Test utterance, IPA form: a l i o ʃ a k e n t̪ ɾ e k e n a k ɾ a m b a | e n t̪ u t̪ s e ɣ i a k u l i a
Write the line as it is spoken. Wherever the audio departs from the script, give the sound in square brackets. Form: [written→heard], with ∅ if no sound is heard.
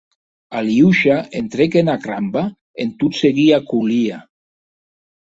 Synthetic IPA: a l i [o→u] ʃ a [k→∅] e n t̪ ɾ e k e n a k ɾ a m b a | e n t̪ u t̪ s e ɣ i a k u l i a